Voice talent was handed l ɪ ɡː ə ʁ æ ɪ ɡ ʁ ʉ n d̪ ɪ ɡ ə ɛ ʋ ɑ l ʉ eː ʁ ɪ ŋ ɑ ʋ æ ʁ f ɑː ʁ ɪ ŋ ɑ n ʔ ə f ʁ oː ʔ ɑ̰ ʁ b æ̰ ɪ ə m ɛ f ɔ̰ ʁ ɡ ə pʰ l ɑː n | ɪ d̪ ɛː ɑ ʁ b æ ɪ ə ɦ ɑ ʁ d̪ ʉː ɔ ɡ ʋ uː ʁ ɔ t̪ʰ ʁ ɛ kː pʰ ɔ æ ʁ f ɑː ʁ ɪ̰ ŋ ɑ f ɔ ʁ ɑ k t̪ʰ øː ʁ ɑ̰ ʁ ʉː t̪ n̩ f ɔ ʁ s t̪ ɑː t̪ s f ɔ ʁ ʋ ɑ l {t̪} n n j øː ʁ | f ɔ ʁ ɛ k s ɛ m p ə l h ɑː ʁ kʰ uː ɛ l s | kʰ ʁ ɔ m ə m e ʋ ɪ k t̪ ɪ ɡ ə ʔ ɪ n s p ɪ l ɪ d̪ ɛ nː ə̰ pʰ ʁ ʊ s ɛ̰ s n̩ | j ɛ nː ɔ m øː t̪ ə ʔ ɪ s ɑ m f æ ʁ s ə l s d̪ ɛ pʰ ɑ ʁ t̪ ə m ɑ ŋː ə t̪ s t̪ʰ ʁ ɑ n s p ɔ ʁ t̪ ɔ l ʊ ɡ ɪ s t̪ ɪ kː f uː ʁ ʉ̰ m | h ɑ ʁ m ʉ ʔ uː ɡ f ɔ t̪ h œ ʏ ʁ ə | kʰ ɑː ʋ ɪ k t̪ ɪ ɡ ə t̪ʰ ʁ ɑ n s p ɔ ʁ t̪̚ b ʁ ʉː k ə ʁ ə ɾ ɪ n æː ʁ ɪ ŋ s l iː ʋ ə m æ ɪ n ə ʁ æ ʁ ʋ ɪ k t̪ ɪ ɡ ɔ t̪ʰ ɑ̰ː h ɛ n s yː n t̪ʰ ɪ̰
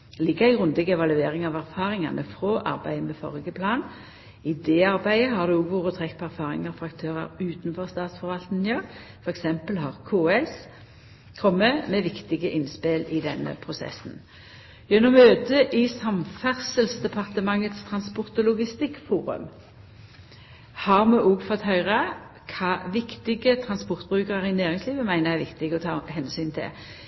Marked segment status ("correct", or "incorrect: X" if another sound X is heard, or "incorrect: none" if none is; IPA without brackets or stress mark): correct